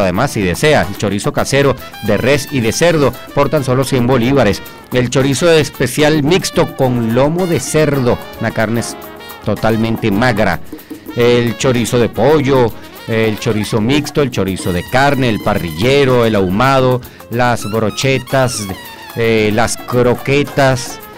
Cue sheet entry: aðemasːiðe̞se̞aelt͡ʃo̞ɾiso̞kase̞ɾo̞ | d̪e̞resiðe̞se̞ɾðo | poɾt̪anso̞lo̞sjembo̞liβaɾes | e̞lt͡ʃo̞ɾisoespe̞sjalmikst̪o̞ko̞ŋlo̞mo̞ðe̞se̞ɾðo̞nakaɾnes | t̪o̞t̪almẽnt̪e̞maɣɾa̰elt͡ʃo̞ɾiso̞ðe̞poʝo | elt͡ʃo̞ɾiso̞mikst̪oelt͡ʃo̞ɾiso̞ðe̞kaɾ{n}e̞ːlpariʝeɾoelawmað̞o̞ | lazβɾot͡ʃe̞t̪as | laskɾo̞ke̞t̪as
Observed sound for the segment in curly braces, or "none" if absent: n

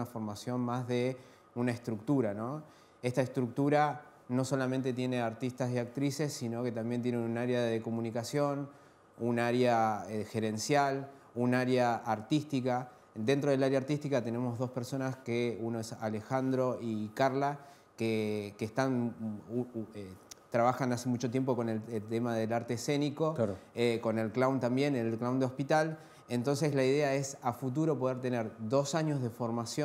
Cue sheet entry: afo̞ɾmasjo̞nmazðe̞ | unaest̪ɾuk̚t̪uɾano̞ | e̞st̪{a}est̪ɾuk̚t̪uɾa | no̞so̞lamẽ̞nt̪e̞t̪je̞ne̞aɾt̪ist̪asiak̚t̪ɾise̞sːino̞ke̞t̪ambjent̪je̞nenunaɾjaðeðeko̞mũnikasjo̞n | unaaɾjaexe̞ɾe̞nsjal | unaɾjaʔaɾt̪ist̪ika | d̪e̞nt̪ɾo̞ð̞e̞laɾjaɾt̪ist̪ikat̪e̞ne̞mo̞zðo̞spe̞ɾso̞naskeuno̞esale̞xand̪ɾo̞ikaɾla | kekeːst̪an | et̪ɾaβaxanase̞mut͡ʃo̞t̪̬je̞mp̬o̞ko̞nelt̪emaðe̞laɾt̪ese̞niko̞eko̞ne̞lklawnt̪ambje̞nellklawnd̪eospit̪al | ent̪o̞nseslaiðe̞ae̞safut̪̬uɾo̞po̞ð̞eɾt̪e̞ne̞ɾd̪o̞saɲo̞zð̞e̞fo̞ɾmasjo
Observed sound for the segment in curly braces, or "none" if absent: a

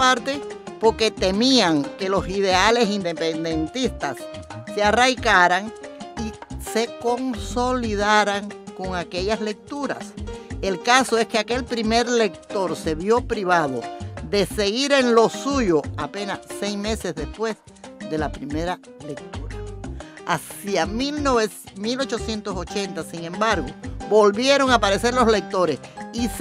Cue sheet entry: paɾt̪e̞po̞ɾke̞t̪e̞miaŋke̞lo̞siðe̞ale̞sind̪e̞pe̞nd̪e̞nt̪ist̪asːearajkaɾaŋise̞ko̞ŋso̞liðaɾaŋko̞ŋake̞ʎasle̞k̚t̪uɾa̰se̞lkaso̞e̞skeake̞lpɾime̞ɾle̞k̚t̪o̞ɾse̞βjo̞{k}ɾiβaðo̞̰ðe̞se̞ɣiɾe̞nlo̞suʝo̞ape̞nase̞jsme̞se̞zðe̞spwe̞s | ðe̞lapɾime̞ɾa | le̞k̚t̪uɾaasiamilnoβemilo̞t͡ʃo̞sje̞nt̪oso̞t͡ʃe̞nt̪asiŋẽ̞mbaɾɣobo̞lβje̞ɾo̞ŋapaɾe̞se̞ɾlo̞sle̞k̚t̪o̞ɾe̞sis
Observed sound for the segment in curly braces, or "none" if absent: p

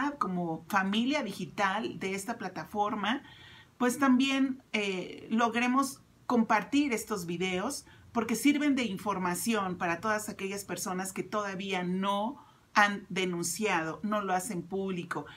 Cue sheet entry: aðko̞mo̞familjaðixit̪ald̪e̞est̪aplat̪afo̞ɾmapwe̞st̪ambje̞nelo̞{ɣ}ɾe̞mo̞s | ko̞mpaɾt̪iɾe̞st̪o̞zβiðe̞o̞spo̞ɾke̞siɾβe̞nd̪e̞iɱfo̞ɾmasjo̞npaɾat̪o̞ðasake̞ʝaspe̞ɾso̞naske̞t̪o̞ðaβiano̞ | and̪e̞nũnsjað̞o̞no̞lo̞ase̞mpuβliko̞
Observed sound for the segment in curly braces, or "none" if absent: ɣ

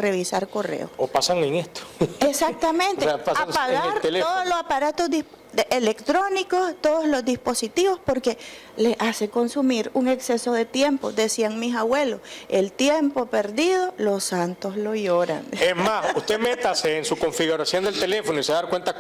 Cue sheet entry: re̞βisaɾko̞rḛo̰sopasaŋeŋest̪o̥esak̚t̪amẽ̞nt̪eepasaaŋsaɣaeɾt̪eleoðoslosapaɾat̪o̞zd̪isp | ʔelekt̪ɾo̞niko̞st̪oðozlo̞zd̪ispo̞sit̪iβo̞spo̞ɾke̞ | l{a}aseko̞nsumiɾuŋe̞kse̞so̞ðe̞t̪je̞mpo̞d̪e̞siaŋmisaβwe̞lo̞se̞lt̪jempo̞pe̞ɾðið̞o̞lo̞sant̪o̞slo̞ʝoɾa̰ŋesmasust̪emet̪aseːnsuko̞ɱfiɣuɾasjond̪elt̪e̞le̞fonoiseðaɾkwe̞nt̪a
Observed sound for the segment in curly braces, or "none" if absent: e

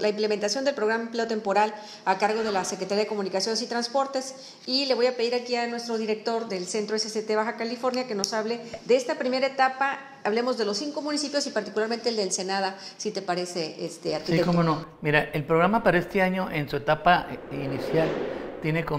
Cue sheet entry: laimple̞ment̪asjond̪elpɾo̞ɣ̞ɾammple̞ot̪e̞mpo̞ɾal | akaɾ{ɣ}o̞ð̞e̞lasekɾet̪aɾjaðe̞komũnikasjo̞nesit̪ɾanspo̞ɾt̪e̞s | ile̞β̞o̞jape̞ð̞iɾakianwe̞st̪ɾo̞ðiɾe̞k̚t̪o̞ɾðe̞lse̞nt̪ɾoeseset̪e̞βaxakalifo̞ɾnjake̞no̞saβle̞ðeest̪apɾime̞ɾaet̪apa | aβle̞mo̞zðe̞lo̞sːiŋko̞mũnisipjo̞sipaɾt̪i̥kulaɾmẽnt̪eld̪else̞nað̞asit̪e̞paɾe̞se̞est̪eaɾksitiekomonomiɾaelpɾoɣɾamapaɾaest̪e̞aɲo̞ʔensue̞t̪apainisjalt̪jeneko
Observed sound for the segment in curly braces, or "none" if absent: ɣ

